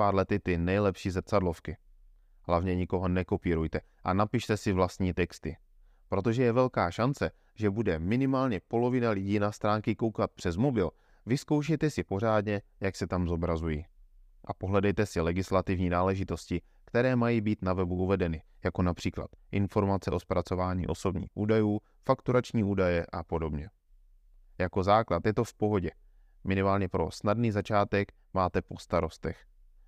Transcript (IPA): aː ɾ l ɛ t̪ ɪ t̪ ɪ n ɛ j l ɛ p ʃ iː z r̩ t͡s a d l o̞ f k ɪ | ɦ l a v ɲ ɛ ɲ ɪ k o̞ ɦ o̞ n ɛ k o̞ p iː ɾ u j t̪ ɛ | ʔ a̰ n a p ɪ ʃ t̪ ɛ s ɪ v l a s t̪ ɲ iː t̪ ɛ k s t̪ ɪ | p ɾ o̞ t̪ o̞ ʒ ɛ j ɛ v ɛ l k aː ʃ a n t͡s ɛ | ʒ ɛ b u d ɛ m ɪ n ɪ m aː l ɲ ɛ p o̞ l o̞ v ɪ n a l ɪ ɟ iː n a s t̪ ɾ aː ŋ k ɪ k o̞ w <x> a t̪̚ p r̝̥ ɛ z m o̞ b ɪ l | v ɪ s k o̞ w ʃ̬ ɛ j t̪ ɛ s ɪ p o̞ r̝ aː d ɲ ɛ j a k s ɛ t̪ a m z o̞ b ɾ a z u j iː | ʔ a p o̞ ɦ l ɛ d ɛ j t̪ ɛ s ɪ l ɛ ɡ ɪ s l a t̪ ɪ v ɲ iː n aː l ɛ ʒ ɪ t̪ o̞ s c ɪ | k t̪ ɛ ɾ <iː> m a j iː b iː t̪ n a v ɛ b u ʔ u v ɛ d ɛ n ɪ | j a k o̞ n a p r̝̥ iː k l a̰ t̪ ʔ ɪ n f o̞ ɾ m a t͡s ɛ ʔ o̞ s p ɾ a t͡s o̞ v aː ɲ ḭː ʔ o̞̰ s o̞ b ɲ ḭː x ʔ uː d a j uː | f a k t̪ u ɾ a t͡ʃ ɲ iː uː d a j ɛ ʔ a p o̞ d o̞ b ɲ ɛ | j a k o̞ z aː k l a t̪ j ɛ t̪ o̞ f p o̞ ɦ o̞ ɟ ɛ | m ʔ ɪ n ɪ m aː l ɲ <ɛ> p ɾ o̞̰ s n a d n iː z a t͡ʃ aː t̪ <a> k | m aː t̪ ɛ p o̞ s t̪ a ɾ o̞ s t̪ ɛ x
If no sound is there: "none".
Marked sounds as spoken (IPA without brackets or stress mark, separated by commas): k, ɛː, ɛ, ɛ